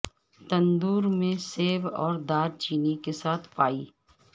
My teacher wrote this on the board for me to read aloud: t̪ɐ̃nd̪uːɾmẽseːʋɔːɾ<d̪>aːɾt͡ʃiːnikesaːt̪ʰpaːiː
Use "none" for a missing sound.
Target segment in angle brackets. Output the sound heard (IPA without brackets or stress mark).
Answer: d̪